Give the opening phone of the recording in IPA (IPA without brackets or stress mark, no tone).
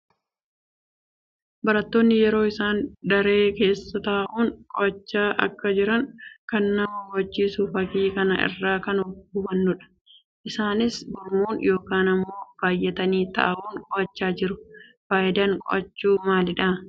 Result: b